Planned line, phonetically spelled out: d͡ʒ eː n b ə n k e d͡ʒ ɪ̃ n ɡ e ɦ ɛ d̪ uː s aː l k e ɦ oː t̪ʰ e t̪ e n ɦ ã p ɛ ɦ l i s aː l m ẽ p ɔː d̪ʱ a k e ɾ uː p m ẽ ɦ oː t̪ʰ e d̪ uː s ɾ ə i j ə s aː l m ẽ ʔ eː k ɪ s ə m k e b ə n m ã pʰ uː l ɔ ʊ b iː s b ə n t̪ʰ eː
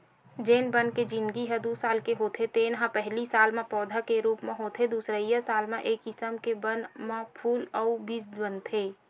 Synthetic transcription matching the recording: d͡ʒ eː n b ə n k e d͡ʒ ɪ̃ n ɡ i ɦ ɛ d̪ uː s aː l k e ɦ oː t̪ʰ e t̪ e n ɦ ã p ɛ ɦ l i s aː l m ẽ p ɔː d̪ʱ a k e ɾ uː p m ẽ ɦ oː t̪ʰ e d̪ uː s ɾ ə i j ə s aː l m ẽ ʔ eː k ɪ s ə m k e b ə n m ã pʰ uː l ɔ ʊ b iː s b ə n t̪ʰ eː